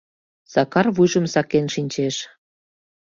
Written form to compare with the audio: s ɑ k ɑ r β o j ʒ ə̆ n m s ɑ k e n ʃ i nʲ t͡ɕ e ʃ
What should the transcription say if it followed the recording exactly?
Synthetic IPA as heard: s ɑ k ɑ r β u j ʒ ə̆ m s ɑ k e n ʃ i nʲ t͡ɕ e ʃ

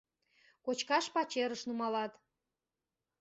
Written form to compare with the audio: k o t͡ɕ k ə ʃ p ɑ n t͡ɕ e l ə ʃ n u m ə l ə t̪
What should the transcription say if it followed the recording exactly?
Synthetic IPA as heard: k o t͡ɕ k ɑ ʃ p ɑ t͡ɕ e ɾ ə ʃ n u m ɑ l ɑ t̪

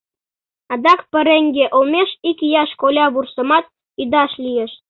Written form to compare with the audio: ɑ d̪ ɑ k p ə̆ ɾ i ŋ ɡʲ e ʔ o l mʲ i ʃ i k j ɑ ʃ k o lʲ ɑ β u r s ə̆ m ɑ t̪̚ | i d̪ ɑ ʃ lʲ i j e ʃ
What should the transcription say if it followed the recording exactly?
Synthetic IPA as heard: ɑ d̪ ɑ k p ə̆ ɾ e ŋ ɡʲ e ʔ o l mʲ e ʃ i k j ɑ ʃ k o lʲ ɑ β u r s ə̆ m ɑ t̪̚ | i d̪ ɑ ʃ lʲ i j e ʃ

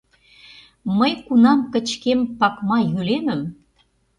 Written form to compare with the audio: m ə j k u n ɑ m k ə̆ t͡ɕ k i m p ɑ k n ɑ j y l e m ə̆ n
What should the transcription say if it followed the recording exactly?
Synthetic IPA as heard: m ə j k u n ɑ m k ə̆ t͡ɕ k e m p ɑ k m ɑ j y l e m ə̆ m

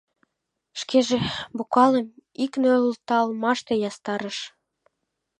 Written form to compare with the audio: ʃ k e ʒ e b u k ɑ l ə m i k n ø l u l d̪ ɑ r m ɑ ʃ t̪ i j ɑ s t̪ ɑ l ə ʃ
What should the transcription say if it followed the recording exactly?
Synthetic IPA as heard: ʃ k e ʒ e b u k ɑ l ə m i k n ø l u l t̪ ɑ l m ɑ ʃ t̪ e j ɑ s t̪ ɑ ɾ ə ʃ

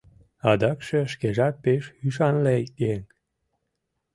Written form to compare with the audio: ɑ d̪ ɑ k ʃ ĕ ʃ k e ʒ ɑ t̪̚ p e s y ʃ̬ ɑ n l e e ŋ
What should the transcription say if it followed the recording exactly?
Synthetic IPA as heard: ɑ d̪ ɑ k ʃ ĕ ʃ k e ʒ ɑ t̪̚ p e ʃ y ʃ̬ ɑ n l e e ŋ

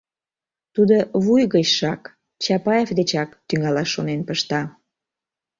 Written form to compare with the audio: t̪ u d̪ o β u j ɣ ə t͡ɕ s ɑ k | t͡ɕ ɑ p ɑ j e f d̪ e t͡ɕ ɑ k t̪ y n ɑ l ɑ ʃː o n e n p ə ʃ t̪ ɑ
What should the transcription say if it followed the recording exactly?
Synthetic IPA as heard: t̪ u d̪ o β u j ɣ ə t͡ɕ ʃ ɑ k | t͡ɕ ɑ p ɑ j e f d̪ e t͡ɕ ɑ k t̪ y ŋ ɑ l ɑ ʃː o n e n p ə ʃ t̪ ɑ

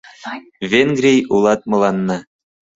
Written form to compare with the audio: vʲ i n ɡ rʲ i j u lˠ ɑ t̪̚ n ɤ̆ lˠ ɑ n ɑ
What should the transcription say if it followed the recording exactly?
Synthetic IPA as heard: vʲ e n ɡ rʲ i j u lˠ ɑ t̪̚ m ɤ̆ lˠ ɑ nː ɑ

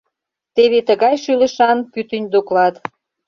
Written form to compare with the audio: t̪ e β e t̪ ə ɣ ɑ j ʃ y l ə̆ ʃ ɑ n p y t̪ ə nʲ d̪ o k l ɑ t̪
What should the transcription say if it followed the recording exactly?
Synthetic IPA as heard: t̪ e β e t̪ ə ɣ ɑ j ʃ y l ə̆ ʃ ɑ n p y t̪ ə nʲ d̪ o k l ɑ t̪

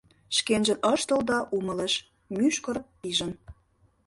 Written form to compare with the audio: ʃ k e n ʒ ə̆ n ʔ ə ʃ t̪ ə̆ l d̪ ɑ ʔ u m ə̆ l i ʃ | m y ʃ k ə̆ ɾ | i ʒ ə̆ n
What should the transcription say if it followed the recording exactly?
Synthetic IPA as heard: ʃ k e n ʒ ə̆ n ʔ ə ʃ t̪ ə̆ l d̪ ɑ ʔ u m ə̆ l e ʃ | m y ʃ k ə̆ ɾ | i ʒ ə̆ n

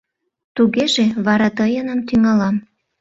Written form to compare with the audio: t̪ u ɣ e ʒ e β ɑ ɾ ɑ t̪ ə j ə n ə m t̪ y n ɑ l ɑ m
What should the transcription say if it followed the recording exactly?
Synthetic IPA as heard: t̪ u ɣ e ʒ e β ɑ ɾ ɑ t̪ ə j ə n ə m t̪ y ŋ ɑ l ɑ m

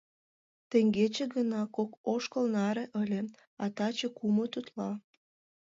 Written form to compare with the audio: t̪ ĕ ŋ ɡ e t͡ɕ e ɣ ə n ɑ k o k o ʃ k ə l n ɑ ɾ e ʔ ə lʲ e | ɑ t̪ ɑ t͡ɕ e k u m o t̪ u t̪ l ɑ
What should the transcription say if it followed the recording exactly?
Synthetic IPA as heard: t̪ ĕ ŋ ɡ e t͡ɕ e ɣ ə n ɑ k o k o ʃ k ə l n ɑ ɾ e ʔ ə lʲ e | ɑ t̪ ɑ t͡ɕ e k u m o t̪ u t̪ l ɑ

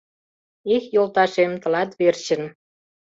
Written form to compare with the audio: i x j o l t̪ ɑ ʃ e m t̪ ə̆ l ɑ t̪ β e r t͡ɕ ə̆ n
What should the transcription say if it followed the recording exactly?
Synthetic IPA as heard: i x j o l t̪ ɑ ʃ e m t̪ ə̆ l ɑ t̪ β e r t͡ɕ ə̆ n

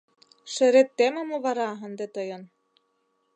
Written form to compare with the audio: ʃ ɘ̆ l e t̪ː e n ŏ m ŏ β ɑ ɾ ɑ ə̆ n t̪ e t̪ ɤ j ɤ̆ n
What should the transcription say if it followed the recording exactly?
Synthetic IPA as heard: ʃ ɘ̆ ɾ e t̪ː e m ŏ m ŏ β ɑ ɾ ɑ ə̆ n d̪ e t̪ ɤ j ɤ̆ n

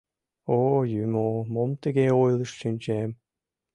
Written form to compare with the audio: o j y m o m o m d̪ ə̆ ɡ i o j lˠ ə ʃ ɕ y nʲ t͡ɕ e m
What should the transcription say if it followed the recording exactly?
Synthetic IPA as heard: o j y m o m o m t̪ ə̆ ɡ e o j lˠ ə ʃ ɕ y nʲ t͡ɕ e m

